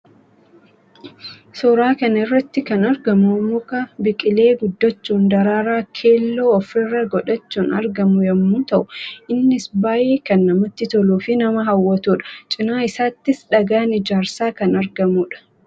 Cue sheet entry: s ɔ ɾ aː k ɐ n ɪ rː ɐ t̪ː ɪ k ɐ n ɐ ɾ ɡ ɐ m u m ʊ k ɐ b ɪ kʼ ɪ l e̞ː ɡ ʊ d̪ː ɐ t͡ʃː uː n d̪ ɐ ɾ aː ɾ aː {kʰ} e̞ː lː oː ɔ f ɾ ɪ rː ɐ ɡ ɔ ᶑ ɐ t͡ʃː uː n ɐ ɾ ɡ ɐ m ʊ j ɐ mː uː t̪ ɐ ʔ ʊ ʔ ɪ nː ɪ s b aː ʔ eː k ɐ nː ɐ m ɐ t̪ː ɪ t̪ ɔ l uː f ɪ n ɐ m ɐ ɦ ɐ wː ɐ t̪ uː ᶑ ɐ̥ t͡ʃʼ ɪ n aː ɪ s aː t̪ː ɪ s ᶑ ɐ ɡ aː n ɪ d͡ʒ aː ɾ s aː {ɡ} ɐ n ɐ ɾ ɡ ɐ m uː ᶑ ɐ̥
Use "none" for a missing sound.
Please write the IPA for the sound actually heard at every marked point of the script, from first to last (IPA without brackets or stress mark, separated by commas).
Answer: kʰ, k